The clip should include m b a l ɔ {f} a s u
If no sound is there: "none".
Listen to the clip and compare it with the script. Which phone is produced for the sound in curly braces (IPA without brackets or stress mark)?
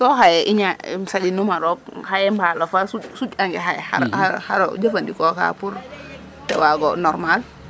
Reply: f